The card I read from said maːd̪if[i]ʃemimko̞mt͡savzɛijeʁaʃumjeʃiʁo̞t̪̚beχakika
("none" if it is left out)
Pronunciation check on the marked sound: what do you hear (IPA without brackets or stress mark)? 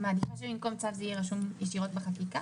a